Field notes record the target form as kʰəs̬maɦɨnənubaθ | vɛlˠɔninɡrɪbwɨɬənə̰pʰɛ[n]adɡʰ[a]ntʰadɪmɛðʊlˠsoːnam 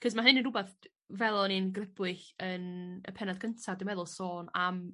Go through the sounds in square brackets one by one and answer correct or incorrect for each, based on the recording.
correct, incorrect

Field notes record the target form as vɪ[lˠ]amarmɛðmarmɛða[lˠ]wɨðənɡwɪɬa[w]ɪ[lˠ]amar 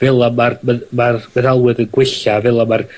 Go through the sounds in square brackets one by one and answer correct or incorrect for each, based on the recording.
correct, correct, incorrect, correct

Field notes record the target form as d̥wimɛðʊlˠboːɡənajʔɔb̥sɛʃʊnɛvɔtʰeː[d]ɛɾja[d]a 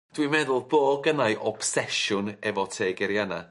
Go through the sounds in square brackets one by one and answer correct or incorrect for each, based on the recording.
incorrect, incorrect

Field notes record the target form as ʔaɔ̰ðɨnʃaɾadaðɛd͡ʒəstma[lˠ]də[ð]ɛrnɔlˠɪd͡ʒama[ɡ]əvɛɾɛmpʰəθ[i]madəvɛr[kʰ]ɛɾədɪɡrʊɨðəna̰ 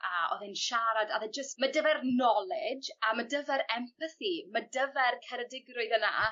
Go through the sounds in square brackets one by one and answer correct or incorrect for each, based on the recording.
incorrect, incorrect, incorrect, correct, correct

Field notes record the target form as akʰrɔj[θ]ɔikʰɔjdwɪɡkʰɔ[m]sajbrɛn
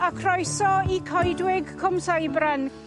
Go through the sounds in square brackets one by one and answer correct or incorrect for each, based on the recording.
incorrect, correct

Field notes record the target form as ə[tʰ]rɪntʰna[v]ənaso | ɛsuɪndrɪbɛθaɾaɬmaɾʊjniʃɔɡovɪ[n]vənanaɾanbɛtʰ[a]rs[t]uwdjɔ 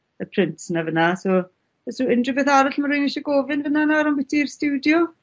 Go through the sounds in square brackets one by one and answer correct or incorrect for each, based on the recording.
incorrect, correct, correct, incorrect, correct

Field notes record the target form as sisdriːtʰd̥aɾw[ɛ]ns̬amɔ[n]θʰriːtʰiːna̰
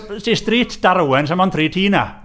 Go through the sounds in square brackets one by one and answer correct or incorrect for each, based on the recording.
correct, correct

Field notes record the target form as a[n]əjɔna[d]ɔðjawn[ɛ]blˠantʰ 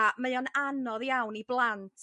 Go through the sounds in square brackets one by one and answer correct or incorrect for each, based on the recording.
incorrect, incorrect, incorrect

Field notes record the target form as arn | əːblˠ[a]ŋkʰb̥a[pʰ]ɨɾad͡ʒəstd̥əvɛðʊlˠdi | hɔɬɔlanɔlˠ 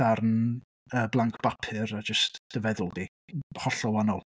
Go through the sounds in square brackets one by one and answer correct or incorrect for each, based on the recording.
correct, correct

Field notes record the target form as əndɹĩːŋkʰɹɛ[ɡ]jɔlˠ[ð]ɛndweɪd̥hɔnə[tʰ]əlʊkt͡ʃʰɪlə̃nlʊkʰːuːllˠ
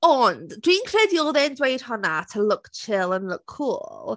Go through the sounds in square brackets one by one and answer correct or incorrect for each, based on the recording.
incorrect, correct, correct

